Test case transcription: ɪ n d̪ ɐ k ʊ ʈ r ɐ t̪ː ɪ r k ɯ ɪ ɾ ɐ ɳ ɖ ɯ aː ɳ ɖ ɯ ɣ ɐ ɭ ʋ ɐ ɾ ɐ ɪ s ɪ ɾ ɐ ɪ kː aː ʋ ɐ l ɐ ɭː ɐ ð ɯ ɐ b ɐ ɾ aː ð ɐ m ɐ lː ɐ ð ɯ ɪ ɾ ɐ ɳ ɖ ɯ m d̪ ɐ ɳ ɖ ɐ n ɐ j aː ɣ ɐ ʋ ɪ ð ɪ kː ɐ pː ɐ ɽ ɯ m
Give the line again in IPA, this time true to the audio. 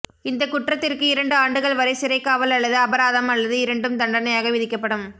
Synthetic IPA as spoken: ɪ n d̪ ɐ k ʊ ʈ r ɐ t̪ː ɪ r k ɯ ɪ ɾ ɐ ɳ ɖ ɯ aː ɳ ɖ ɯ ɣ ɐ ɭ ʋ ɐ ɾ ɐ ɪ s ɪ ɾ ɐ ɪ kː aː ʋ ɐ l ɐ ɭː ɐ ð ɯ ɐ b ɐ ɾ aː ð ɐ m ɐ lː ɐ ð ɯ ɪ ɾ ɐ ɳ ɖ ɯ m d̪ ɐ ɳ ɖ ɐ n ɐ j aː ɣ ɐ ʋ ɪ ð ɪ kː ɐ pː ɐ ɽ ɯ m